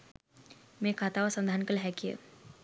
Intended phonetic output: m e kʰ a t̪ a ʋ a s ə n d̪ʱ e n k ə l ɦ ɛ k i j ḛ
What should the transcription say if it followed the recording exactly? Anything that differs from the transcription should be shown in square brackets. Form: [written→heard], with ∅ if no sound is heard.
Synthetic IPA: m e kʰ a t̪ a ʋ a s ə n d̪ʱ [e→a] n k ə l ɦ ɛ k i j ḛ